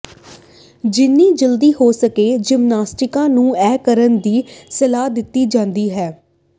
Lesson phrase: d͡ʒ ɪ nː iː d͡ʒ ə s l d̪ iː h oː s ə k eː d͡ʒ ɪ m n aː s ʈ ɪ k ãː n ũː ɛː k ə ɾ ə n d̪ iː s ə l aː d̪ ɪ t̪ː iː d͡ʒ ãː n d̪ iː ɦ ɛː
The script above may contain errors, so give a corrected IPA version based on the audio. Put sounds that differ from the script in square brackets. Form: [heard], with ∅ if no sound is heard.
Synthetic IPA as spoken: d͡ʒ ɪ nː iː d͡ʒ ə [∅] l d̪ iː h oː s ə k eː d͡ʒ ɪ m n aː s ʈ ɪ k ãː n ũː ɛː k ə ɾ ə n d̪ iː s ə l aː d̪ ɪ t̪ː iː d͡ʒ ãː n d̪ iː ɦ ɛː